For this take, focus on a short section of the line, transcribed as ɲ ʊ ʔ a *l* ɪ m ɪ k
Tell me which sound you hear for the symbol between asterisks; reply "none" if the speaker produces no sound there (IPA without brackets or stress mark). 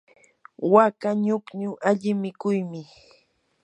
ʎ